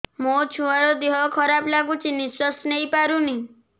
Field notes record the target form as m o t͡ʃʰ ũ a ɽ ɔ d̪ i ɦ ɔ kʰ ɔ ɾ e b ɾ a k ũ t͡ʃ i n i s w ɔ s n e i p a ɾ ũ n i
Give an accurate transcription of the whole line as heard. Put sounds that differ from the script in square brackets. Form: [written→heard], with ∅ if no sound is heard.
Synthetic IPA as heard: m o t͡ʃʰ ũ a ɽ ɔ d̪ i ɦ ɔ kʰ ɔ ɾ [e→a] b [ɾ→l] a [k→ɡ] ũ t͡ʃ i n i s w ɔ s n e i p a ɾ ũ n i

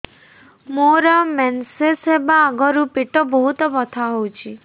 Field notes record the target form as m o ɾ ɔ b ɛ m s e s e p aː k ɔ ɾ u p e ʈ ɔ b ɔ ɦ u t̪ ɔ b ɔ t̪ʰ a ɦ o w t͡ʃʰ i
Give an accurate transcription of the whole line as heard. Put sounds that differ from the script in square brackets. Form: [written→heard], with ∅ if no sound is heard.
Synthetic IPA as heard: m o ɾ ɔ [b→m] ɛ [m→n] s e s e [p→b] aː [k→ɡ] ɔ ɾ u p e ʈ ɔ b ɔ ɦ u t̪ ɔ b ɔ t̪ʰ a ɦ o w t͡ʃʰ i

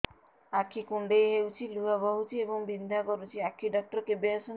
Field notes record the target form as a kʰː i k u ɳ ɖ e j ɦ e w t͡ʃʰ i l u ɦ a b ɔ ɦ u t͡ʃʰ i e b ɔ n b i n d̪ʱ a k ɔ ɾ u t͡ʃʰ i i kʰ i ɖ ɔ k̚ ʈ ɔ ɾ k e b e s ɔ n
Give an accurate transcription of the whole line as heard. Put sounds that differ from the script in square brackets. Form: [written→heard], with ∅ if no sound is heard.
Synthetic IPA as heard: a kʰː i k u ɳ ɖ e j ɦ e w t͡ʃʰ i l u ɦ a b ɔ ɦ u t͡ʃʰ i e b ɔ [n→ŋ] b i n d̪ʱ a k ɔ ɾ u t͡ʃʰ i [i→a] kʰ i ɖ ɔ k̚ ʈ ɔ ɾ k e b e s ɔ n

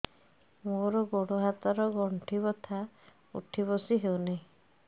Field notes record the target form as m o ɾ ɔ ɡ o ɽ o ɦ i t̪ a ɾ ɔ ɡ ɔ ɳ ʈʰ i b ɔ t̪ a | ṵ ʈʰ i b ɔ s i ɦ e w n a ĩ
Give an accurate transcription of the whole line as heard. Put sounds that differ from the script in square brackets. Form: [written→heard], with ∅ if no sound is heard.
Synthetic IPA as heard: m o ɾ ɔ ɡ o ɽ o ɦ [i→a] t̪ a ɾ ɔ ɡ ɔ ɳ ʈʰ i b ɔ [t̪→t̪ʰ] a | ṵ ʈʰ i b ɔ s i ɦ e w n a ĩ

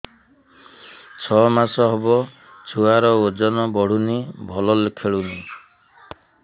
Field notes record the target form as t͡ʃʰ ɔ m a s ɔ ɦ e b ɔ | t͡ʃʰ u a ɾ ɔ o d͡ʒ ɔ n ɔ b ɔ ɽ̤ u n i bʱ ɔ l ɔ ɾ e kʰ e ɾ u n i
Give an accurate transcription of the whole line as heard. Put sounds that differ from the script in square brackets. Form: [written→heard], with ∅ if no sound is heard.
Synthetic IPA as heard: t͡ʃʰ ɔ m a s ɔ ɦ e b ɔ | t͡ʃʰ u a ɾ ɔ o d͡ʒ ɔ n ɔ b ɔ ɽ̤ u n i bʱ ɔ l ɔ [ɾ→l] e kʰ e [ɾ→ɭ] u n i

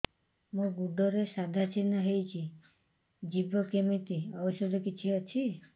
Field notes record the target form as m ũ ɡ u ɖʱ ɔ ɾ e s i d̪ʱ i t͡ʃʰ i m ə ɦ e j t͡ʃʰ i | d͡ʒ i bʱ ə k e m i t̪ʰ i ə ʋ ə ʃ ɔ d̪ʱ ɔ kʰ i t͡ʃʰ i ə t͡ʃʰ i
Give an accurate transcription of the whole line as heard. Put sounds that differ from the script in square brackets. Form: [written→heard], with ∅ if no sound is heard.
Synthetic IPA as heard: m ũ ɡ u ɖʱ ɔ ɾ e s [i→a] d̪ʱ [i→a] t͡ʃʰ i [m→n] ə ɦ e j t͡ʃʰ i | d͡ʒ i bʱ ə k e m i [t̪ʰ→t̪] i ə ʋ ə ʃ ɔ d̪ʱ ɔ [kʰ→k] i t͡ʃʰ i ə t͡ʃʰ i

